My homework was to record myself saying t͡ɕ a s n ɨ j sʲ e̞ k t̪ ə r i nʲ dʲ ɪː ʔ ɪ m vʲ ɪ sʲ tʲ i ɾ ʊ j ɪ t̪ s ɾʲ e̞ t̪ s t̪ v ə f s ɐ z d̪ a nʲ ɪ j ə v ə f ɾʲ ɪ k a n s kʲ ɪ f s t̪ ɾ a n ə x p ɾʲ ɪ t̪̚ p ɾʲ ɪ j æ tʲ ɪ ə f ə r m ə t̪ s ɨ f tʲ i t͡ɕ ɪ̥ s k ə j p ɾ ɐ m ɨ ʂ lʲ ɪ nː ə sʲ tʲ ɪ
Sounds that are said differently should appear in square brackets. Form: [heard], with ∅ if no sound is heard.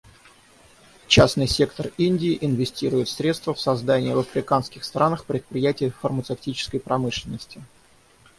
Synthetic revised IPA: t͡ɕ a s n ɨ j sʲ e̞ k t̪ ə r i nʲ dʲ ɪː ʔ ɪ [n] vʲ ɪ sʲ tʲ i ɾ ʊ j ɪ t̪ s ɾʲ e̞ t̪ s t̪ v ə f s ɐ z d̪ a nʲ ɪ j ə v ə f ɾʲ ɪ k a n s kʲ ɪ [x] s t̪ ɾ a n ə x p ɾʲ ɪ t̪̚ p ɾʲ ɪ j æ tʲ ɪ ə f ə r m ə t̪ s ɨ f tʲ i t͡ɕ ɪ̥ s k ə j p ɾ ɐ m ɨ ʂ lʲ ɪ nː ə sʲ tʲ ɪ

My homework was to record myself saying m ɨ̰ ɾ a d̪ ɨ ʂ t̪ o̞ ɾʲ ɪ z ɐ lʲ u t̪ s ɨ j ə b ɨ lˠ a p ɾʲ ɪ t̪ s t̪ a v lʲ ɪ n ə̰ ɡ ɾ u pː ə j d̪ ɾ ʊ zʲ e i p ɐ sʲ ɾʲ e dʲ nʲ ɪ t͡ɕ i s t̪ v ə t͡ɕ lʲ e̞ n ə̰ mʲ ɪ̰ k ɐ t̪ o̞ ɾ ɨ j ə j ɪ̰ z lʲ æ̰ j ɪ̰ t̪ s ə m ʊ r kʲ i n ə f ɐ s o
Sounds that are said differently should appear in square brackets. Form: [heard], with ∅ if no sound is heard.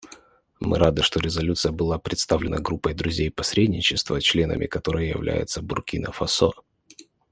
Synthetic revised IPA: m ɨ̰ ɾ a d̪ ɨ ʂ t̪ o̞ ɾʲ ɪ z ɐ lʲ u t̪ s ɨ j ə b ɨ lˠ a p ɾʲ ɪ t̪ s t̪ a v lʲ ɪ n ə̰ ɡ ɾ u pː ə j d̪ ɾ ʊ zʲ e [j] p ɐ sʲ ɾʲ e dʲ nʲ ɪ t͡ɕ [ɪ] s t̪ v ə t͡ɕ lʲ e̞ n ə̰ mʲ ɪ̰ k ɐ t̪ o̞ ɾ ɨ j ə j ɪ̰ [v] lʲ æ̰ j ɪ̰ t̪ s ə [b] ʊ r kʲ i n ə f ɐ s o

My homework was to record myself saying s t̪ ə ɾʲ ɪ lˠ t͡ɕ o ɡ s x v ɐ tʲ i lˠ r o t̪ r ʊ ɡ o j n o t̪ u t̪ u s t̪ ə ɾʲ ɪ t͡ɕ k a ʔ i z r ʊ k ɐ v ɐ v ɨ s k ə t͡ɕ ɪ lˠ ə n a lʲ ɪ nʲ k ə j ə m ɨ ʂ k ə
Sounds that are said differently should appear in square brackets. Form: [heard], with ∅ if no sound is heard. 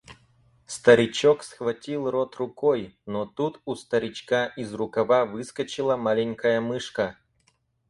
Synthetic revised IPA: s t̪ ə ɾʲ ɪ [∅] t͡ɕ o [k] s x v ɐ tʲ i lˠ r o t̪ r ʊ [k] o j n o t̪ u t̪ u s t̪ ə ɾʲ ɪ t͡ɕ k a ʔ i z r ʊ k ɐ v [a] v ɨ s k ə t͡ɕ ɪ lˠ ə [m] a lʲ ɪ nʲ k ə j ə m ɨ ʂ k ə

